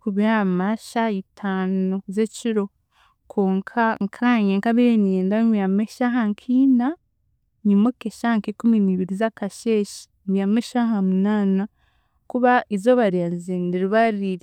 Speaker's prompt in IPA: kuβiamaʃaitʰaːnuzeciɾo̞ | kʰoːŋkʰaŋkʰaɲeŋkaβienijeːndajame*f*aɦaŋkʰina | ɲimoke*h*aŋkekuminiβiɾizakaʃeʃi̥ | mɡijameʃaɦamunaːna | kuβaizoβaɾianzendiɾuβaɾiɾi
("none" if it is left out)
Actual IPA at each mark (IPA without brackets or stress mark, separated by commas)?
ʃ, ʃ